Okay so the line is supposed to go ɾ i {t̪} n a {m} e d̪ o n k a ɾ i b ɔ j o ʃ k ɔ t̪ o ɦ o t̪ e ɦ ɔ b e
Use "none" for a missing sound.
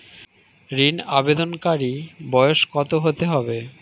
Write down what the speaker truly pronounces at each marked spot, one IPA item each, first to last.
none, b

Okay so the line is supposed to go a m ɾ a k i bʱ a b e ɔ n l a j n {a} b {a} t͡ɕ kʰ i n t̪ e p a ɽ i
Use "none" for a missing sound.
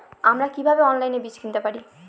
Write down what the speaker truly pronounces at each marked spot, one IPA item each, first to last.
e, i

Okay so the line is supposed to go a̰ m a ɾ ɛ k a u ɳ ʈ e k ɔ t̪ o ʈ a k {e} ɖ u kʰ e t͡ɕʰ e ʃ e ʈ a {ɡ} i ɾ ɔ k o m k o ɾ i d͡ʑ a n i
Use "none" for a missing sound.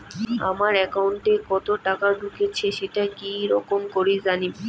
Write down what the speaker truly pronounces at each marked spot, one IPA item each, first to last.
a, k

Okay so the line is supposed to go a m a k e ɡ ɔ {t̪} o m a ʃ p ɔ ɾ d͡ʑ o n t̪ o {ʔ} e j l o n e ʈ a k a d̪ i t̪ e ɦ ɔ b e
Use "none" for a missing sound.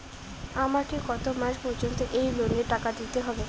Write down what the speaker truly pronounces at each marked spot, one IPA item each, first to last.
t̪, ʔ

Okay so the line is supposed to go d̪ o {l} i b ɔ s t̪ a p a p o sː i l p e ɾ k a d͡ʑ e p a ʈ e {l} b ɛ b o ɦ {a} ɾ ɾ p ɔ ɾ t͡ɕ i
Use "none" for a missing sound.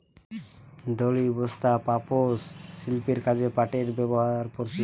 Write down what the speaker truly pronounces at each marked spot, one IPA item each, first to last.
l, ɾ, a

